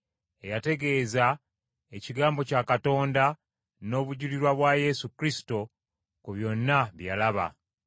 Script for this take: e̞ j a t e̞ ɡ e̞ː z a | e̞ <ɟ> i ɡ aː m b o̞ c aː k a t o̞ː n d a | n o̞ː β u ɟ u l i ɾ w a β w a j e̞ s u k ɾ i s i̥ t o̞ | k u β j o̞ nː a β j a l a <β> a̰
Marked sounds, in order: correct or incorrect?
incorrect, correct

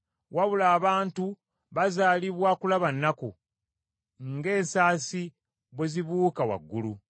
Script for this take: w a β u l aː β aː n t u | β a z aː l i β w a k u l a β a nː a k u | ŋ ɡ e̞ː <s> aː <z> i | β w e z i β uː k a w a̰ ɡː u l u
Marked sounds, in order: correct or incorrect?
correct, incorrect

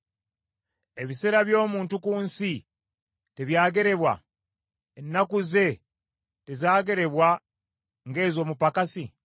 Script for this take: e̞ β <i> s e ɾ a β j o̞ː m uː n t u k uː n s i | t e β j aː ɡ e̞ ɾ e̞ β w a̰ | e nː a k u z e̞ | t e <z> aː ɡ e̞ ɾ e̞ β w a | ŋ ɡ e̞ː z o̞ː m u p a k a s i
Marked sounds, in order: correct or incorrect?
correct, correct

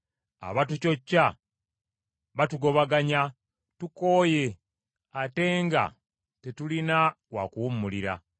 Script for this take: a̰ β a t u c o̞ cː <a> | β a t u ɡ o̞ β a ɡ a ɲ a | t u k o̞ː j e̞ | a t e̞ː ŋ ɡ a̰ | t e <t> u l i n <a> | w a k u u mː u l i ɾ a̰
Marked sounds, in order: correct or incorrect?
correct, correct, correct

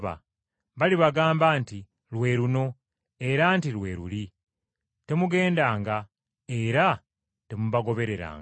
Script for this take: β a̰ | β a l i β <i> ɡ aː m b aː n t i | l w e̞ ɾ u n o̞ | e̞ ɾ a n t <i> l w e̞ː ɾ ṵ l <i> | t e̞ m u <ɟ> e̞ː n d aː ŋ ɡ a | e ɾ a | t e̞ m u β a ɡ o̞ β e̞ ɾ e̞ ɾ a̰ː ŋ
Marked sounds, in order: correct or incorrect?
incorrect, correct, correct, incorrect

